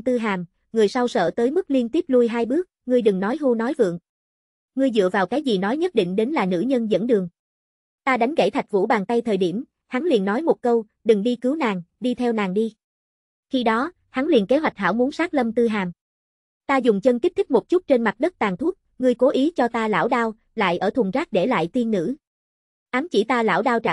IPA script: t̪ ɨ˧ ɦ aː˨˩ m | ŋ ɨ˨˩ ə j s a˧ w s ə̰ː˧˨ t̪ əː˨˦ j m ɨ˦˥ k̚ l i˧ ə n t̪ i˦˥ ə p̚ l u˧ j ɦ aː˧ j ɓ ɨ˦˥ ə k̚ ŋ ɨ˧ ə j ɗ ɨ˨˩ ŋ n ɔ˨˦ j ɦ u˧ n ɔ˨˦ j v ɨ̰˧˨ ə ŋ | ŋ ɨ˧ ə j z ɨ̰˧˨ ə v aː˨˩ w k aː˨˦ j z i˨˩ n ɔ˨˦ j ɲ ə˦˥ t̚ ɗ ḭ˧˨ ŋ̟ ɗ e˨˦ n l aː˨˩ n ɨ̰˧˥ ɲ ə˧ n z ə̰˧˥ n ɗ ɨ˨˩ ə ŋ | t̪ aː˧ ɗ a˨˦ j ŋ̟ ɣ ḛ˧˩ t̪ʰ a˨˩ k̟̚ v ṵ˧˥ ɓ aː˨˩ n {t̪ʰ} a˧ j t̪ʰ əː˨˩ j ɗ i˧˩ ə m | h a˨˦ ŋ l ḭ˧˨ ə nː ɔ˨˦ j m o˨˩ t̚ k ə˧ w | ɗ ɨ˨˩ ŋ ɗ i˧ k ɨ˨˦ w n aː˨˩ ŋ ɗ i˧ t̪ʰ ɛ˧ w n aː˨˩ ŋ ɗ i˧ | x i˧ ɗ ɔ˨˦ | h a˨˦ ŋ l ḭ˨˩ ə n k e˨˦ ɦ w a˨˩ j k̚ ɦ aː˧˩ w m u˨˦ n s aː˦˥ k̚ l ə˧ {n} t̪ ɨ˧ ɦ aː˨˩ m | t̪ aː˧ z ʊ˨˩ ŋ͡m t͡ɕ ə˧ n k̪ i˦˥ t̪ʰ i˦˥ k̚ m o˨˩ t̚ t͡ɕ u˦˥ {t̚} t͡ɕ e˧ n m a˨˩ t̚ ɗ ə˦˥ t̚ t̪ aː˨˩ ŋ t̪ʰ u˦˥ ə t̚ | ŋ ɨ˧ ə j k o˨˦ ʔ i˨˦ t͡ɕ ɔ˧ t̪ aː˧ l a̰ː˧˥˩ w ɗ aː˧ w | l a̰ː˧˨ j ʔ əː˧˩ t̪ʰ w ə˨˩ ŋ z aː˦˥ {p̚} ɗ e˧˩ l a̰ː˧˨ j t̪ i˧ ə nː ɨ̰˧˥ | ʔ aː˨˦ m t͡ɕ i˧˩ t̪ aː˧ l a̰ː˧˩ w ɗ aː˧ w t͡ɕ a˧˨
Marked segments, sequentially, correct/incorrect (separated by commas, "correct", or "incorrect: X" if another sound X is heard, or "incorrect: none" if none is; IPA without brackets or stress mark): incorrect: t̪, incorrect: m, correct, incorrect: k̚